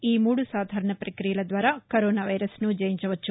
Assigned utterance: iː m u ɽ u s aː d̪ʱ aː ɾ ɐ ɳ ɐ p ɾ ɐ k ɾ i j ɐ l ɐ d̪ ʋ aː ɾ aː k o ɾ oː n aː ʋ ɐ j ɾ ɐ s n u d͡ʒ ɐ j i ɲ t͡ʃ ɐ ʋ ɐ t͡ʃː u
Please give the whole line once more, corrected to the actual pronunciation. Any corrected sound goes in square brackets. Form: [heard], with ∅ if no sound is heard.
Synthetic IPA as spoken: iː m [uː] ɽ u s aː d̪ʱ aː ɾ ɐ ɳ ɐ p ɾ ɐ k ɾ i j ɐ l ɐ d̪ ʋ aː ɾ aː k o ɾ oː n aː ʋ ɐ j ɾ ɐ s n u d͡ʒ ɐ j i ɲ t͡ʃ ɐ ʋ ɐ t͡ʃː u